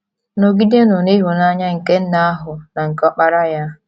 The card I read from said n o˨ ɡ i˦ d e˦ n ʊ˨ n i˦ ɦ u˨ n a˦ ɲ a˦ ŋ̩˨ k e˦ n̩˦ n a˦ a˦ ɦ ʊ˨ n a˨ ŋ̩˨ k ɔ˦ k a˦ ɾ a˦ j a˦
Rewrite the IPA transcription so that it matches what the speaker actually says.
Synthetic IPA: n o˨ ɡ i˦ d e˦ n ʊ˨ n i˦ ɦ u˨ n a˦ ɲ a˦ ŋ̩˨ k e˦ n̩˦ n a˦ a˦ ɦ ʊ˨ n a˨ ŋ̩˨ k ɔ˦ k͡p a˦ ɾ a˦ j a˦